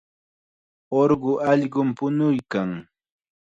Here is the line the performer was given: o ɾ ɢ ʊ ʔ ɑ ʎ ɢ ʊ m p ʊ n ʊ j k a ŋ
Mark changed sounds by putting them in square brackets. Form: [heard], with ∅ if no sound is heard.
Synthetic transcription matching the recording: o ɾ ɢ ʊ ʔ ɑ ʎ ɢ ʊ m p ʊ n ʊ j k a ŋ